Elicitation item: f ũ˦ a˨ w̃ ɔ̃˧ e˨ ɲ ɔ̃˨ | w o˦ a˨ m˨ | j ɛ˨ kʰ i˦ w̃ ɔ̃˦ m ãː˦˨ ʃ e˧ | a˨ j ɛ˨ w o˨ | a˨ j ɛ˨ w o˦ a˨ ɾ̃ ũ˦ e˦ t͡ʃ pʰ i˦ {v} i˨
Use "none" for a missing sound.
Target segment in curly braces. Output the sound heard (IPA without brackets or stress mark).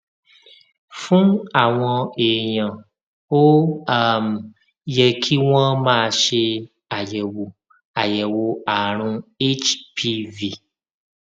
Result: v